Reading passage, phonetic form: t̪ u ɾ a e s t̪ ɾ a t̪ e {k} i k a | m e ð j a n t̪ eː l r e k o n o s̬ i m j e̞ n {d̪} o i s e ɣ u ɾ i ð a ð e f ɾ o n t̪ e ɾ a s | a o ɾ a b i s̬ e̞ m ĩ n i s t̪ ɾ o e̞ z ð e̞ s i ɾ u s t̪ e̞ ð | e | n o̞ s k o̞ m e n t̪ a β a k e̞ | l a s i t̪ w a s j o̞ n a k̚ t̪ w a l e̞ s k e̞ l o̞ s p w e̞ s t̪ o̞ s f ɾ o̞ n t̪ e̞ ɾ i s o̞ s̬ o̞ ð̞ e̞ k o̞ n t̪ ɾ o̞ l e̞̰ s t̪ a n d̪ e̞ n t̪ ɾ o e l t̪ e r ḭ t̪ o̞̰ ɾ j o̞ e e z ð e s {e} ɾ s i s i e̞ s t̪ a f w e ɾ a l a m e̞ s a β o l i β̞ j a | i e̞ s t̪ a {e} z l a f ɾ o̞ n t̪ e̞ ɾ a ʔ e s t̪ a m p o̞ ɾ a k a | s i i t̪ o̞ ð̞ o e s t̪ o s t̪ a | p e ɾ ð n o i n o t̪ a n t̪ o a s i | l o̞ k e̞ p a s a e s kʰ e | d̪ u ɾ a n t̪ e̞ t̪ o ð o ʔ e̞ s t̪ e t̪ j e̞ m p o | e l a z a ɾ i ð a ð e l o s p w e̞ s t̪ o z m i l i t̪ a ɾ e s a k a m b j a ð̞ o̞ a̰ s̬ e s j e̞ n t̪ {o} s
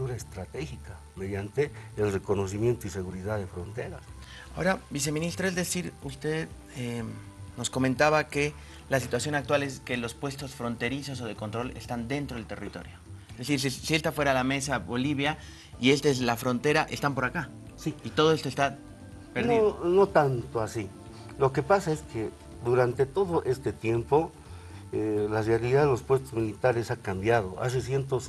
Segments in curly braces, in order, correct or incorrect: incorrect: x, incorrect: t̪, incorrect: i, correct, correct

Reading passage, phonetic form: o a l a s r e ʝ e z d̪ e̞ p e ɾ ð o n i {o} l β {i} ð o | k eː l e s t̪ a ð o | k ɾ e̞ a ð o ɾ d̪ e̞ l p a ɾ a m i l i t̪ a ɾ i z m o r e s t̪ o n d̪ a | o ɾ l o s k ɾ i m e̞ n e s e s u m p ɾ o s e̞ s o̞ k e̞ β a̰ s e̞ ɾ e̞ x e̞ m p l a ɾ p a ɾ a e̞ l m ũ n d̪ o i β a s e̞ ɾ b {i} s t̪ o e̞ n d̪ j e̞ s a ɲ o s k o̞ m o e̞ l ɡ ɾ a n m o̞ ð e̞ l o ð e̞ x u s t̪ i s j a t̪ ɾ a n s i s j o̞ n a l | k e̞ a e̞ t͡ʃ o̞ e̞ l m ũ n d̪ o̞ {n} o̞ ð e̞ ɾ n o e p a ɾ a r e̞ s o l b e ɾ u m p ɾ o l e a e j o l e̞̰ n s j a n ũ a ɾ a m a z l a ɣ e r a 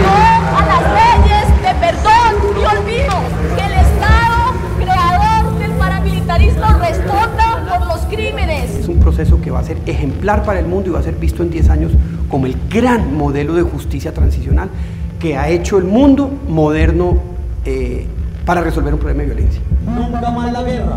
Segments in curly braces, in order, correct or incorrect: correct, correct, correct, incorrect: m

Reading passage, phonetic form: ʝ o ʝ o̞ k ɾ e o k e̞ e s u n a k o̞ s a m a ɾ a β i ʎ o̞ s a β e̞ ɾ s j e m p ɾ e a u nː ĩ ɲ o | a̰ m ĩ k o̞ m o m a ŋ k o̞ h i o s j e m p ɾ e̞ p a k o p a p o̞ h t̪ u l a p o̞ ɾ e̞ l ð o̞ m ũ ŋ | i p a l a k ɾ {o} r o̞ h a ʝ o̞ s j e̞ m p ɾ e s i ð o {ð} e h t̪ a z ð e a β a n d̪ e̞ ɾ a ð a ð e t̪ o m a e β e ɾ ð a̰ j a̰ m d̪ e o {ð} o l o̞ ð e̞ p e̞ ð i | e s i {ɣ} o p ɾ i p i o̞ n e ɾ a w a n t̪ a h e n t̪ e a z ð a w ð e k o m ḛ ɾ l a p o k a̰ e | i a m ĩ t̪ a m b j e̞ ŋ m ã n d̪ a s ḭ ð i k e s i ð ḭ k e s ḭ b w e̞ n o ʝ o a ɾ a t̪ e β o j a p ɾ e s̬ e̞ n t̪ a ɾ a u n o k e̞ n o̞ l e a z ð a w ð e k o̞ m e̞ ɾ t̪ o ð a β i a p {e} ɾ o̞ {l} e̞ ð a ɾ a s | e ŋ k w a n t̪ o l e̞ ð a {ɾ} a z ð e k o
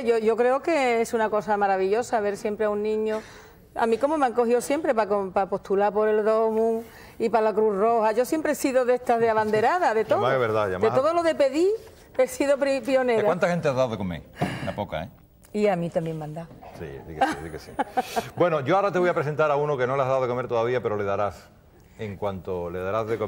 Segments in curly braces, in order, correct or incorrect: incorrect: u, correct, correct, incorrect: ð, correct, correct, correct

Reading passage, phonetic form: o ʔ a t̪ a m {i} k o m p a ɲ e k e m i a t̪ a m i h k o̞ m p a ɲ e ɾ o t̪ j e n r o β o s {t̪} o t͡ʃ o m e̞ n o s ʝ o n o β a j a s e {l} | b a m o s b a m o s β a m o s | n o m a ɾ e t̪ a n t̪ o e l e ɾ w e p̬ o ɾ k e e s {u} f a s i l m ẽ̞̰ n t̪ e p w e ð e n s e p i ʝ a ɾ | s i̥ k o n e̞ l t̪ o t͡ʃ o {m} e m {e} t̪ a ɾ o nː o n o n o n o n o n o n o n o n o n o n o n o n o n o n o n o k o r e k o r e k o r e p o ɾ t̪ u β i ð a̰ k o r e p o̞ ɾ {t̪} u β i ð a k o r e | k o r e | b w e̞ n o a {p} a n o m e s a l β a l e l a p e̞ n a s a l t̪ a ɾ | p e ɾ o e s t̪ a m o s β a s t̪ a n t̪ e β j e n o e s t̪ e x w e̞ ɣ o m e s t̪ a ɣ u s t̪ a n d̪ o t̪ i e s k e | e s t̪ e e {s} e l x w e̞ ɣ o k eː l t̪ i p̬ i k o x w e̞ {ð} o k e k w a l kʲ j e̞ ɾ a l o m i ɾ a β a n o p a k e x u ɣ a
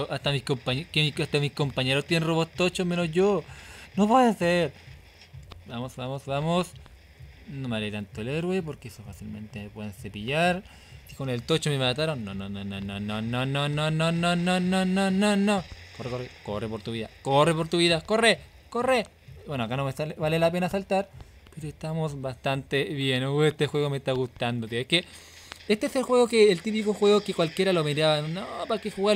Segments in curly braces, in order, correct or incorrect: correct, correct, incorrect: ɾ, incorrect: o, correct, incorrect: a, correct, incorrect: k, correct, incorrect: ɣ

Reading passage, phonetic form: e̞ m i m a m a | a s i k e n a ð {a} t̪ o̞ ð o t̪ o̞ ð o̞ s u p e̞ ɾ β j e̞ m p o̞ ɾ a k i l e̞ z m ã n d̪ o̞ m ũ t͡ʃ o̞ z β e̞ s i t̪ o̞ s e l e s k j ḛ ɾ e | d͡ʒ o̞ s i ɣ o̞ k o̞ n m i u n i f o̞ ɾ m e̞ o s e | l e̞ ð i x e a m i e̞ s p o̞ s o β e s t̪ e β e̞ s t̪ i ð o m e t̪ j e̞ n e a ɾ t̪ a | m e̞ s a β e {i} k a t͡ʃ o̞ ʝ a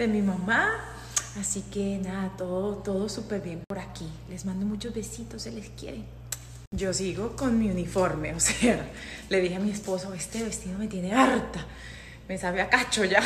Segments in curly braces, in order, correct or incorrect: correct, incorrect: a

